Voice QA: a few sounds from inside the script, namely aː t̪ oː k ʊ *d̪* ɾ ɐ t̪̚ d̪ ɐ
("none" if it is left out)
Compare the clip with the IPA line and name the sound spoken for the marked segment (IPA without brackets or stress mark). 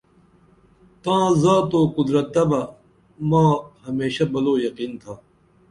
d̪